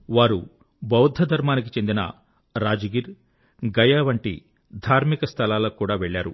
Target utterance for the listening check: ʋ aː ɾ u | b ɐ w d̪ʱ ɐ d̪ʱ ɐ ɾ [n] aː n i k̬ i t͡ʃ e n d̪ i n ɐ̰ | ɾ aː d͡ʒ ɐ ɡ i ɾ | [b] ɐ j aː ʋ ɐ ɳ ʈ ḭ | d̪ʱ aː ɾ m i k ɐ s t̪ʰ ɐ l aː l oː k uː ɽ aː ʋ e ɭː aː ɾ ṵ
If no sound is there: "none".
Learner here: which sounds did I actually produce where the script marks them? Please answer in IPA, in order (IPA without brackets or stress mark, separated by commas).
m, ɡ